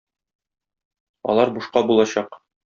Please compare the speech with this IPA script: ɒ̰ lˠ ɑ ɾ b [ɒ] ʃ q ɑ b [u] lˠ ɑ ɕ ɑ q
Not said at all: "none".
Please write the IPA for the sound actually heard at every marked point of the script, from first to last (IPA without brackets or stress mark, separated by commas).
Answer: u, u